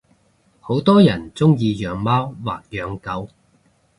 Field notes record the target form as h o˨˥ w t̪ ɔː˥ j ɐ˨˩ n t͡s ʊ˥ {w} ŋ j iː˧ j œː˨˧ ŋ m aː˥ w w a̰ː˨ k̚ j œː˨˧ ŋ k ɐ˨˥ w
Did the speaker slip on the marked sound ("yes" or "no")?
yes